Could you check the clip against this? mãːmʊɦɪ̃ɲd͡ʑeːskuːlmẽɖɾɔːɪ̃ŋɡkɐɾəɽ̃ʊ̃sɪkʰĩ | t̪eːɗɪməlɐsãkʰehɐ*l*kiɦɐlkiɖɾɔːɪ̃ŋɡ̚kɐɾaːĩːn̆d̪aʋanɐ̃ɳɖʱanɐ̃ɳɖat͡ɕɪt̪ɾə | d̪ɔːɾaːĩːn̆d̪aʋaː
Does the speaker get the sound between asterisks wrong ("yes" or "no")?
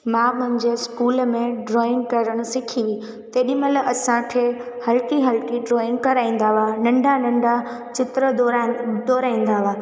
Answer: no